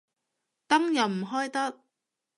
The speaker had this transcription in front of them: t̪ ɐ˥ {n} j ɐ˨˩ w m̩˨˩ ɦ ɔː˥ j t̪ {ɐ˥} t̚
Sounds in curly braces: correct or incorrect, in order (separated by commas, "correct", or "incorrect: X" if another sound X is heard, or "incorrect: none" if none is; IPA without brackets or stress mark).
incorrect: ŋ, correct